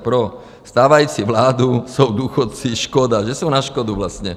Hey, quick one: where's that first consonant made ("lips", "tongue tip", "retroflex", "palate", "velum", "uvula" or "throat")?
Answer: lips